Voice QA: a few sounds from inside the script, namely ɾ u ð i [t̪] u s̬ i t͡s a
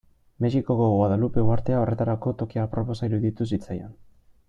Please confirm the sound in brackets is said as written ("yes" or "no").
yes